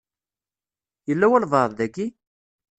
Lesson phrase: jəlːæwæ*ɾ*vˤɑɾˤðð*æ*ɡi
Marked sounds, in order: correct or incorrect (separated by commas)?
incorrect, correct